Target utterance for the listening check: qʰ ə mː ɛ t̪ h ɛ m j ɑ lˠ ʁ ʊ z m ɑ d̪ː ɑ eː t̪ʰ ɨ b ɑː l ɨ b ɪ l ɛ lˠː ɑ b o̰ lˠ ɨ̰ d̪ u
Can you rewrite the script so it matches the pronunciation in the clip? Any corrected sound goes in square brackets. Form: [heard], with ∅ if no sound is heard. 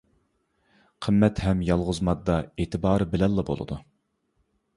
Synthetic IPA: qʰ ə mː ɛ t̪ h ɛ m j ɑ lˠ ʁ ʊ z m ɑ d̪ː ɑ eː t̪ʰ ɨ b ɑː [ɾ] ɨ b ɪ l ɛ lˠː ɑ b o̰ lˠ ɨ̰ d̪ u